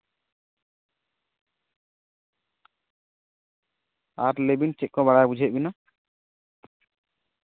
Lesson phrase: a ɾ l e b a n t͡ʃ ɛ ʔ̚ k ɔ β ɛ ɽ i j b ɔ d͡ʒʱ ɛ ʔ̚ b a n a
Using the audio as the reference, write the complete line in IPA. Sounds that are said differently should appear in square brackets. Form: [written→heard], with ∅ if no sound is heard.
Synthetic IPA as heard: a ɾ l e b [a→i] n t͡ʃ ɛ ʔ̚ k ɔ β [ɛ→a] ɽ [i→a] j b [ɔ→u] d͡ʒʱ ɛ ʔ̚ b [a→i] n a